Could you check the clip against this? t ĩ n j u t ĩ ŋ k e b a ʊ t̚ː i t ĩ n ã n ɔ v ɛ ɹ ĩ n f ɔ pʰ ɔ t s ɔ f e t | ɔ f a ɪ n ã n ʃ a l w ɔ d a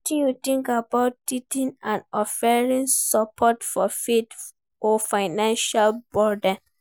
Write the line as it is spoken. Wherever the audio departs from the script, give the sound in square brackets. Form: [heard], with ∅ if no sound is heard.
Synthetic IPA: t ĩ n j u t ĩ ŋ k [a] b a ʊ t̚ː i t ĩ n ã n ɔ [f] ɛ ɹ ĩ n [s] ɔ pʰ ɔ t [f] ɔ f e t | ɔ f a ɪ n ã n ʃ a l [b] ɔ d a